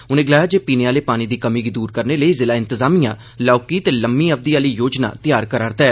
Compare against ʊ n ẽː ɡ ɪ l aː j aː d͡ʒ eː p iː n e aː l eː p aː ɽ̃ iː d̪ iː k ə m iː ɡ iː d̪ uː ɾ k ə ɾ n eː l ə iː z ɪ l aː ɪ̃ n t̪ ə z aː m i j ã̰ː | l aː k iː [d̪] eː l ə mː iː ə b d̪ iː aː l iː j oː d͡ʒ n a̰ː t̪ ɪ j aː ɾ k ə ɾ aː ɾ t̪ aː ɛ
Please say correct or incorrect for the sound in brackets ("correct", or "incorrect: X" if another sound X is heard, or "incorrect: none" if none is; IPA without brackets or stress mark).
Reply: incorrect: t̪